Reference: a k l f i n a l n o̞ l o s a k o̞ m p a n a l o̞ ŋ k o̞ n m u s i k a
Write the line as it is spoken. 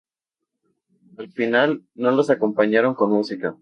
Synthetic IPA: a l f i n a l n o̞ l o s a k o̞ m p a ɲ a ɾ o̞ ŋ k o̞ n m u s i k a